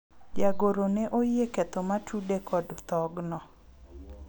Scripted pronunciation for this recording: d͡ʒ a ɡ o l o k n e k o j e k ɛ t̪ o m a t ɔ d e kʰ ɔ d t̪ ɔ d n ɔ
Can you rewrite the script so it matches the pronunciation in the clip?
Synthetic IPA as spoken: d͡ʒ a ɡ o ɾ o n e ʔ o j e k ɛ t̪ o m a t u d e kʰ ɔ d t̪ ɔ ɡ n ɔ